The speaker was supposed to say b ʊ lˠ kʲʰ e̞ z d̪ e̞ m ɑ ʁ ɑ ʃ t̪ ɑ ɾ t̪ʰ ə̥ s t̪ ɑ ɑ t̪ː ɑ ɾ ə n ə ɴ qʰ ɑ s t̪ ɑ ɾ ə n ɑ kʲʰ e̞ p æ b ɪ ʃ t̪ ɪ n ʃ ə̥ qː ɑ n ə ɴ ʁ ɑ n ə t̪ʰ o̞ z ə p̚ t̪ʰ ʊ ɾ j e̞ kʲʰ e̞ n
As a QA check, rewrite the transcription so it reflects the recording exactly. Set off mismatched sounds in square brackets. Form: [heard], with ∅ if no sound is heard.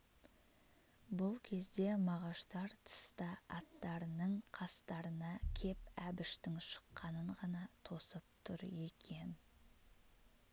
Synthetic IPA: b ʊ lˠ kʲʰ e̞ z d̪ e̞ m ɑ ʁ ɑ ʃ t̪ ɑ ɾ t̪ʰ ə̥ s t̪ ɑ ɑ t̪ː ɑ ɾ ə n ə ɴ qʰ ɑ s t̪ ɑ ɾ ə n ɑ kʲʰ e̞ p æ b ɪ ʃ t̪ ɪ [ŋ] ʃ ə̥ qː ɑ n ə ɴ ʁ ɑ n [ɑ] t̪ʰ o̞ [s] ə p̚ t̪ʰ ʊ ɾ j e̞ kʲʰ e̞ n